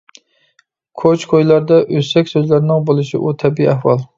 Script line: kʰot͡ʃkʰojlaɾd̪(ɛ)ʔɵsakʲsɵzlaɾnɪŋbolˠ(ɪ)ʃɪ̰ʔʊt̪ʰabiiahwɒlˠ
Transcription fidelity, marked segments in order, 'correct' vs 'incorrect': incorrect, correct

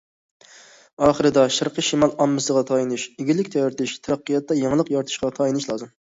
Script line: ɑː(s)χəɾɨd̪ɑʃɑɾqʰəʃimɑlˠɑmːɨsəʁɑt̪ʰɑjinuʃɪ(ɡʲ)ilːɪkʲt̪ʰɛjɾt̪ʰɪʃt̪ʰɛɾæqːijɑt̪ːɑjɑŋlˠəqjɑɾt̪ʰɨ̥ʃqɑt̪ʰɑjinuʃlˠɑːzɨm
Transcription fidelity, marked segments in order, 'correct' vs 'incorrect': incorrect, correct

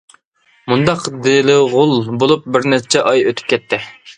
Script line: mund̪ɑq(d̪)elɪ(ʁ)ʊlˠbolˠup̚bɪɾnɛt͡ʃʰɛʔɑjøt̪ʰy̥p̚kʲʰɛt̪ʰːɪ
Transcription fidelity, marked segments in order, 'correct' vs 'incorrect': correct, correct

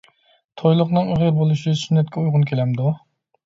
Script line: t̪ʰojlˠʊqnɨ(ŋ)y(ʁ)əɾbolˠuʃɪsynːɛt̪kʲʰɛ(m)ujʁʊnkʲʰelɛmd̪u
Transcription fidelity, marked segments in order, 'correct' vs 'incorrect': correct, correct, incorrect

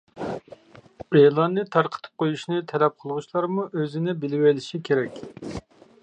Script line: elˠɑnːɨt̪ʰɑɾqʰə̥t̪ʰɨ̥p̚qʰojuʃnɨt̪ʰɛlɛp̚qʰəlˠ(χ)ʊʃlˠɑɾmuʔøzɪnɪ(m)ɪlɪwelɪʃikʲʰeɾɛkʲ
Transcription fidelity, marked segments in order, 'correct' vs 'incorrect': incorrect, incorrect

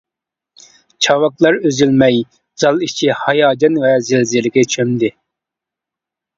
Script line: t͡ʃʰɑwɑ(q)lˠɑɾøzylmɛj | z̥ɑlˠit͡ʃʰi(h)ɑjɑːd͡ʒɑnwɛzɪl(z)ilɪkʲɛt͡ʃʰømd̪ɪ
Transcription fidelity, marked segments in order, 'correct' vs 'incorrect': incorrect, correct, correct

